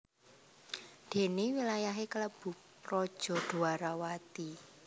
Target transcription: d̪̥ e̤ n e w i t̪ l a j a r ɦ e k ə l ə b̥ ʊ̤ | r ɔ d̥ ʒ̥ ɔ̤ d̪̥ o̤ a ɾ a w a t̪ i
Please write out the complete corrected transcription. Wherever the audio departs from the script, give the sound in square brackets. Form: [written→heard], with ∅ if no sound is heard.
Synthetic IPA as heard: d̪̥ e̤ n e w i [t̪→∅] l a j a [r→∅] ɦ e k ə l ə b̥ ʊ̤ | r ɔ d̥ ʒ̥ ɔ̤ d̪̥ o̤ a ɾ a w a t̪ i